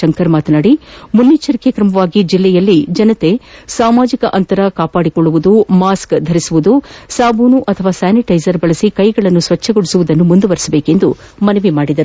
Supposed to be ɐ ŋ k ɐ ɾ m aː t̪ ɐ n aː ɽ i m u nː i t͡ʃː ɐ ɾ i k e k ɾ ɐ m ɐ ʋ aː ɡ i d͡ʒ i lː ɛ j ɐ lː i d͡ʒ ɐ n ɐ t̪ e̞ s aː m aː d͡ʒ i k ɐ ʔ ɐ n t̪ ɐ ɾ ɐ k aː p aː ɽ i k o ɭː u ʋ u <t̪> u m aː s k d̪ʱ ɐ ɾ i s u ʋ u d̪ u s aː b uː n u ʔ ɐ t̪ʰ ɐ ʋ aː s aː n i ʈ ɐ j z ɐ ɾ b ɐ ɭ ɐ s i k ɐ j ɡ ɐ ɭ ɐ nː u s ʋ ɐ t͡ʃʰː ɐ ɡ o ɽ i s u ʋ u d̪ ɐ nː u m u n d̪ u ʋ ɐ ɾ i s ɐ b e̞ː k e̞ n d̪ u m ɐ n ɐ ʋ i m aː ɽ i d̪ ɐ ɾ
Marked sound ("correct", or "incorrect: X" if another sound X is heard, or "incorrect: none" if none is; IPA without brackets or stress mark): incorrect: d̪